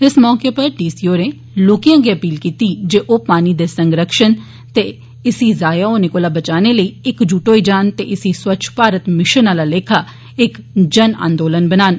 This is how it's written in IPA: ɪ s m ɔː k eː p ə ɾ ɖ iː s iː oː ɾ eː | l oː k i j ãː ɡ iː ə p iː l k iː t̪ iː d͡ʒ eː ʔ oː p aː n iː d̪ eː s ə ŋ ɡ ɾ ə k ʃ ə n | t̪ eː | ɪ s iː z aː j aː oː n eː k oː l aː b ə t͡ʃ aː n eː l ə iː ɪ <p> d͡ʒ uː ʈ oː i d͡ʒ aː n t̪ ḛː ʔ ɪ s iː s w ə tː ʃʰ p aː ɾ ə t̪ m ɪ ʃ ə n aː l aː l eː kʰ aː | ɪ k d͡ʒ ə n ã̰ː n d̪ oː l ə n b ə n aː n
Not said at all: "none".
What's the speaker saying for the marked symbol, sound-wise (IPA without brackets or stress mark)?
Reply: k